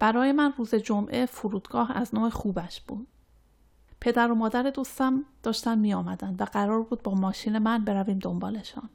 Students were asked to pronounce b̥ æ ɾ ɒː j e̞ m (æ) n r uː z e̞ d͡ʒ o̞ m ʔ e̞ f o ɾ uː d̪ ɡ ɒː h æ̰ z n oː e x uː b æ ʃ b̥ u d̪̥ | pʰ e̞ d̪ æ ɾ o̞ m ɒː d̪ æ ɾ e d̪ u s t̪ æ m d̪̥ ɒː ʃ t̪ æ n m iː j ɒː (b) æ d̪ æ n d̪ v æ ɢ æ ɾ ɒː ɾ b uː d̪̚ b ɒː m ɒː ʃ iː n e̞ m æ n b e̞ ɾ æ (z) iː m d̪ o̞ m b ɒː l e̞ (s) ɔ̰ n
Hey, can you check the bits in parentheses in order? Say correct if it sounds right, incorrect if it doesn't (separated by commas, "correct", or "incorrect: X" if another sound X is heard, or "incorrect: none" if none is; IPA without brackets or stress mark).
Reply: correct, incorrect: m, incorrect: v, incorrect: ʃ